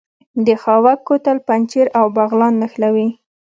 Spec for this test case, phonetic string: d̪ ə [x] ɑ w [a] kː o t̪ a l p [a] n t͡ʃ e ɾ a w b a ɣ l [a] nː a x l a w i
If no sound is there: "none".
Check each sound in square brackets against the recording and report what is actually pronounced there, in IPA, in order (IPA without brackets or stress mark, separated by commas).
x, a, a, ɑ